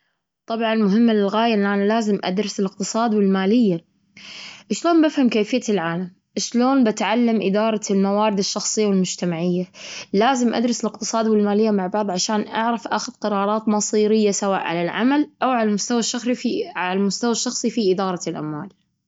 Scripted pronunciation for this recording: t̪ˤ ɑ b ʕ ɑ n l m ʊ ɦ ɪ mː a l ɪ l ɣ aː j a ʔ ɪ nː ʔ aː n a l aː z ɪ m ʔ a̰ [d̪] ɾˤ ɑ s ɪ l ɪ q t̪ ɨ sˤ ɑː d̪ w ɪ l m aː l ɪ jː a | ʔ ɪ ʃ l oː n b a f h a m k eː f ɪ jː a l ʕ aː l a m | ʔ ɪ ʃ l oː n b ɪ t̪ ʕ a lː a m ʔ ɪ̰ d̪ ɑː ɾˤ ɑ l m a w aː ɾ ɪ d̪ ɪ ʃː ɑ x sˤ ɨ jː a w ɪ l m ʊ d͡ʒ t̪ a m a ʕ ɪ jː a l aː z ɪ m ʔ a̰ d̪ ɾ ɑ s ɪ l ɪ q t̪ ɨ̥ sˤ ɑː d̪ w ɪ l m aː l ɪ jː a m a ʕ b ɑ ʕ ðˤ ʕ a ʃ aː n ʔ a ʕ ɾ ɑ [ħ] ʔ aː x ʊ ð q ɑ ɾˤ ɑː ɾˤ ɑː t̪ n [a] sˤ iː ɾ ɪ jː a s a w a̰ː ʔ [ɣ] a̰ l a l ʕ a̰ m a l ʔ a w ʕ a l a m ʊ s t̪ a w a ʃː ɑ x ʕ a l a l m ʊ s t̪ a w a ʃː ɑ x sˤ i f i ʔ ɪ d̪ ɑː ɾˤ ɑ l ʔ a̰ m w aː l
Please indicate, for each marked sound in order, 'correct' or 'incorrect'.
correct, incorrect: f, incorrect: ɑ, incorrect: ʕ

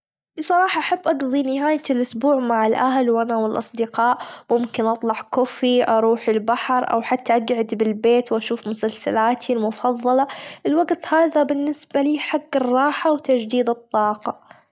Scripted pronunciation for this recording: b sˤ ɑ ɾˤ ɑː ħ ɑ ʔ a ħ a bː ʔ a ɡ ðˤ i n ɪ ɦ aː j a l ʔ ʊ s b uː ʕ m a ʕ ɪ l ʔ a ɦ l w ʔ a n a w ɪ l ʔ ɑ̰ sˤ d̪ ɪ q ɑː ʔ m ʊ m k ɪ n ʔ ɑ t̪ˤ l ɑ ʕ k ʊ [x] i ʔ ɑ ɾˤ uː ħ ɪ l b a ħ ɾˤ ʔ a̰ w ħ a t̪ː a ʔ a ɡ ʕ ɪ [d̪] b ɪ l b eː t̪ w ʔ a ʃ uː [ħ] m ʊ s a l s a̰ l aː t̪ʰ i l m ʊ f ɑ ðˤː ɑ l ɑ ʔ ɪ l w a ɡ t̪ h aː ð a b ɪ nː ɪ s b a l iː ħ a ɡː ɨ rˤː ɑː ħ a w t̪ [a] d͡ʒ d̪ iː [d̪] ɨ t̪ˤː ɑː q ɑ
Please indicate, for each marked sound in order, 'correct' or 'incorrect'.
incorrect: f, correct, incorrect: f, correct, correct

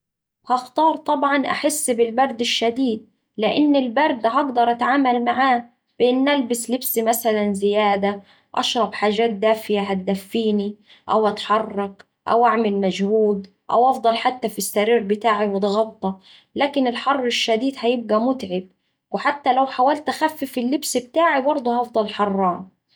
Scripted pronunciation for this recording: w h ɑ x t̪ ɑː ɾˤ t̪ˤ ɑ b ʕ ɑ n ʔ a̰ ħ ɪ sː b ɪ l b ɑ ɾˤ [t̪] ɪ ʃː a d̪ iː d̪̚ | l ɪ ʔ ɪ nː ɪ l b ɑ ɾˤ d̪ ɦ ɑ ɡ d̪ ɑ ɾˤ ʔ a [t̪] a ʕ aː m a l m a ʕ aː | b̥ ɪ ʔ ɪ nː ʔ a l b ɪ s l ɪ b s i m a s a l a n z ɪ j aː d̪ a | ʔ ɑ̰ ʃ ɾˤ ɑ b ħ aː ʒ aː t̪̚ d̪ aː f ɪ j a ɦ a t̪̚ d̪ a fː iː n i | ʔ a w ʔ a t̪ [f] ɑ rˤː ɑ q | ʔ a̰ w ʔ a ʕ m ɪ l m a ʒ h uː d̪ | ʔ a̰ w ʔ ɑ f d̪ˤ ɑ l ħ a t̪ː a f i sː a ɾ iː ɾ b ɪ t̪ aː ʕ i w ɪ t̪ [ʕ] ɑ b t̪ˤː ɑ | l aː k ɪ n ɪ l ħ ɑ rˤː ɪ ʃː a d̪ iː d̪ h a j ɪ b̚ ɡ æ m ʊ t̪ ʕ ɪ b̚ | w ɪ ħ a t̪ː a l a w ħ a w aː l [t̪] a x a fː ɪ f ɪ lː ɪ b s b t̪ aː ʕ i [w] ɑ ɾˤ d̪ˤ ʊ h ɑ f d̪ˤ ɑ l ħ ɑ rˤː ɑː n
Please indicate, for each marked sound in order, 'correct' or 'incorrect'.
incorrect: d̪, correct, incorrect: ħ, incorrect: ɣ, correct, incorrect: b

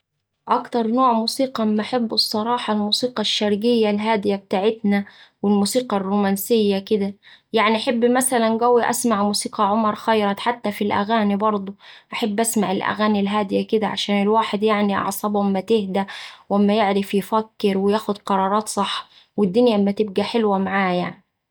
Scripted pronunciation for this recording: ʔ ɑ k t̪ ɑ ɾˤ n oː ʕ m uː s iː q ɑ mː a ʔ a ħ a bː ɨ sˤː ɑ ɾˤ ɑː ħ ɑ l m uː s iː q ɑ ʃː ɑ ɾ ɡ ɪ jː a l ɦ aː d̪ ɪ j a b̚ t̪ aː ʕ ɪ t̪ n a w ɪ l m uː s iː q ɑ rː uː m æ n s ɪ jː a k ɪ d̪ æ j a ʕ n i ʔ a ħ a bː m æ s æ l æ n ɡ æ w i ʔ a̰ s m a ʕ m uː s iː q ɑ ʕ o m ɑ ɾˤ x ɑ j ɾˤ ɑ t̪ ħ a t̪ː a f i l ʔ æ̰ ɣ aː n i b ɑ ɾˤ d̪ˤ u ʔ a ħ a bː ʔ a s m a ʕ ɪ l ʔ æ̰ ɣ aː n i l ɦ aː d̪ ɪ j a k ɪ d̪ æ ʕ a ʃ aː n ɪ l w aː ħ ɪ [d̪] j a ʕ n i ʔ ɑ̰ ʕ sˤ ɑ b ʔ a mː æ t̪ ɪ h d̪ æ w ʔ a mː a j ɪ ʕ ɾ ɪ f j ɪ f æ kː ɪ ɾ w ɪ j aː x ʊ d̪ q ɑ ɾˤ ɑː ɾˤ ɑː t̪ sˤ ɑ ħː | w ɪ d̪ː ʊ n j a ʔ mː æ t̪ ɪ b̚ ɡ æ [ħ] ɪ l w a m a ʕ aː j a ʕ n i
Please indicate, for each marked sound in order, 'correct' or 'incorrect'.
correct, correct

